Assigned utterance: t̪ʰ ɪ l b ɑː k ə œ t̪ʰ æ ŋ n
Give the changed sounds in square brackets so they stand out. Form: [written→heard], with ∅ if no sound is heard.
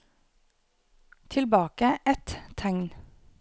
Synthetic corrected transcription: t̪ʰ ɪ l b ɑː k ə [œ→ɛ] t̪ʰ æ ŋ n